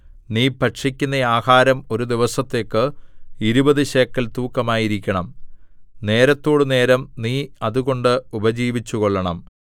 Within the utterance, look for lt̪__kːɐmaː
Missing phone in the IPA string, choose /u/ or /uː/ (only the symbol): uː